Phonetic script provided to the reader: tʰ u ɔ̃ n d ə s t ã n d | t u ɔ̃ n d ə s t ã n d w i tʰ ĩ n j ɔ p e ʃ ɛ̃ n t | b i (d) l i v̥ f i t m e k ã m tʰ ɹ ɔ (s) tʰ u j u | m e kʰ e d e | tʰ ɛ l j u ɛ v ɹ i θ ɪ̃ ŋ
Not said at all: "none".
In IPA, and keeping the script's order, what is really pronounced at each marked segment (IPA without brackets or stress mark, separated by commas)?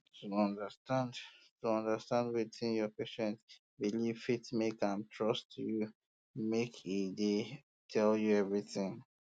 none, s